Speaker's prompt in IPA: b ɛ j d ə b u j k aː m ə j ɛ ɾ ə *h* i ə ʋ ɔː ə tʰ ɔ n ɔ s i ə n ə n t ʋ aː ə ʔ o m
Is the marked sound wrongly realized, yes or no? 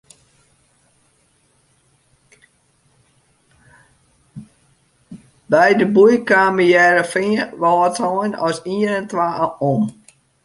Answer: yes